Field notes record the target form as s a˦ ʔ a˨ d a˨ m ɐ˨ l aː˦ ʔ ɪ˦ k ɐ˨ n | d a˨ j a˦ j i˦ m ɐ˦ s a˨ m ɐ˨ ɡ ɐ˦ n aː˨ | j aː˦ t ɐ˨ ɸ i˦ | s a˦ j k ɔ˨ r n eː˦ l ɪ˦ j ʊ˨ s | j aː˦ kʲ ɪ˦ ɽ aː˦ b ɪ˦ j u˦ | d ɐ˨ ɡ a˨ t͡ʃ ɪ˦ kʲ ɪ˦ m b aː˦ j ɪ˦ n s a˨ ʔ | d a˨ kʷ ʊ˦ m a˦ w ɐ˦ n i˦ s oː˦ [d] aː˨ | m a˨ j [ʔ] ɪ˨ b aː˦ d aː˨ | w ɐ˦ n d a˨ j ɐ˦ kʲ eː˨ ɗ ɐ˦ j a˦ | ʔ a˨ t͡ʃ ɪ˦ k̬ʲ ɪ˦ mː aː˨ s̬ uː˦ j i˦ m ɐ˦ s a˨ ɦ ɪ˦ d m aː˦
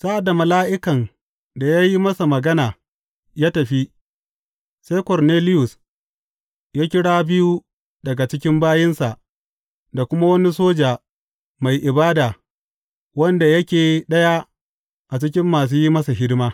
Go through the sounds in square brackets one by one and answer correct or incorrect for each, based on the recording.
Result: incorrect: d͡ʒ, correct

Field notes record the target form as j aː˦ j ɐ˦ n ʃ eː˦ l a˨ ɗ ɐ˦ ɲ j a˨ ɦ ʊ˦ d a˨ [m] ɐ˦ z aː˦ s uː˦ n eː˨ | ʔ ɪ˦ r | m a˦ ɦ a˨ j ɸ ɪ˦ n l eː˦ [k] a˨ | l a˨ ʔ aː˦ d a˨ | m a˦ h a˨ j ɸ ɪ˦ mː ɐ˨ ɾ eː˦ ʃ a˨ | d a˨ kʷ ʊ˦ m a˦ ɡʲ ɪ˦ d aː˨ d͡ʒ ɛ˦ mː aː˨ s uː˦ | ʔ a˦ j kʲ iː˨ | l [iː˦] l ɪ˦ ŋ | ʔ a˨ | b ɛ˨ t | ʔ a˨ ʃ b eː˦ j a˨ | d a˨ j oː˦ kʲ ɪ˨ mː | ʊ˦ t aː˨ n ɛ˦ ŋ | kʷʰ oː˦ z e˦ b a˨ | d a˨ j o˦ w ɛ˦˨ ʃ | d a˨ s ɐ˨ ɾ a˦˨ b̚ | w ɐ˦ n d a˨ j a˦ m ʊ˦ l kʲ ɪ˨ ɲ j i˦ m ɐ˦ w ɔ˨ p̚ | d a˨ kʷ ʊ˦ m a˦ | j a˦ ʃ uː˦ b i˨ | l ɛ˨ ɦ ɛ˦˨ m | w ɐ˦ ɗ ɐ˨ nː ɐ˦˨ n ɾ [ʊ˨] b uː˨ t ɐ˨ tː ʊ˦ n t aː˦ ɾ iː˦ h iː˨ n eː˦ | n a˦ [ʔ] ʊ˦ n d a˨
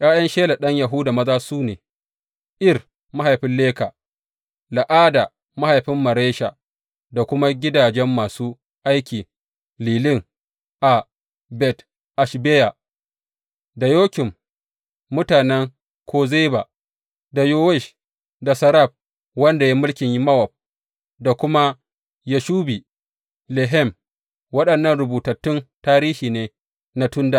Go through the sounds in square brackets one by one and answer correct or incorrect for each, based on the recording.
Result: correct, correct, incorrect: iː˨, correct, incorrect: t

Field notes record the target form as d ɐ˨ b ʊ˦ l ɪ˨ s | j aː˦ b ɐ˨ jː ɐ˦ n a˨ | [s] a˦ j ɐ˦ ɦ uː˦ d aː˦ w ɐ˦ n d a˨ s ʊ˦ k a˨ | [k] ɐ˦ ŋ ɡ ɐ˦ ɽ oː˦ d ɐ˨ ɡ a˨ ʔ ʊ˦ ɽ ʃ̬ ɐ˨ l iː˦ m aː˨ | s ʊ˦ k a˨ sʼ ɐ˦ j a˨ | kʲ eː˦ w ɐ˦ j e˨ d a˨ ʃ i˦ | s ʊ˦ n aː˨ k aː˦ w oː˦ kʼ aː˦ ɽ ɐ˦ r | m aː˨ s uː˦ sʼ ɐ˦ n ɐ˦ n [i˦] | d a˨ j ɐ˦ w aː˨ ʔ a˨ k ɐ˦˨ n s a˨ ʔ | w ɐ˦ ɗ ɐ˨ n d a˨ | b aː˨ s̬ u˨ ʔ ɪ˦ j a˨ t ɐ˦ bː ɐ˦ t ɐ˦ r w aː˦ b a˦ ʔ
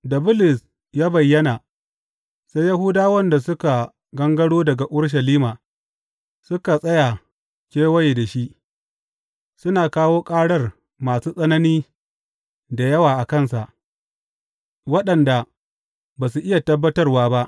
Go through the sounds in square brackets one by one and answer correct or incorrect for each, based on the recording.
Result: correct, incorrect: ɡ, incorrect: iː˦

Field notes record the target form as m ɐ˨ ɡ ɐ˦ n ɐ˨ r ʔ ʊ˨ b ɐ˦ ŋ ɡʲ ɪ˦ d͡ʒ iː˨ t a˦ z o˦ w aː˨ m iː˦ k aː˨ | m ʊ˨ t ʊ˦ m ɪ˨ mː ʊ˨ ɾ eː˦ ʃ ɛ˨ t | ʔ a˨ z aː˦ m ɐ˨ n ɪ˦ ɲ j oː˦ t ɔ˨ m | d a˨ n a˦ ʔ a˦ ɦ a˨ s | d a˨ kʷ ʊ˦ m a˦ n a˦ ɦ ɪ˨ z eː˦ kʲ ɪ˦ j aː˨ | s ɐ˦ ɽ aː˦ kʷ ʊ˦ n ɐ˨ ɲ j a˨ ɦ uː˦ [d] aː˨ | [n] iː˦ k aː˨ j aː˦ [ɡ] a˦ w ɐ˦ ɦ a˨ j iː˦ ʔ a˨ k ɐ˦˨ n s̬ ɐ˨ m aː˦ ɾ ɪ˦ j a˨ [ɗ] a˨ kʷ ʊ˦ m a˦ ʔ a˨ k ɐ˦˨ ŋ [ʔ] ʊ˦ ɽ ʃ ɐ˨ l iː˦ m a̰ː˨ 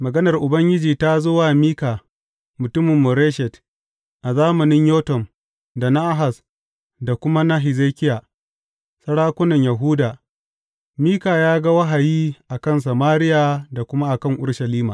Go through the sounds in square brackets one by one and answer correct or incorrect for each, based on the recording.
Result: correct, incorrect: m, correct, incorrect: d, correct

